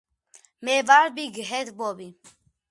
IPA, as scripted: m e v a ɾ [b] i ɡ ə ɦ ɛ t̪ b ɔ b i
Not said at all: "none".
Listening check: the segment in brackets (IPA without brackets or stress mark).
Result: b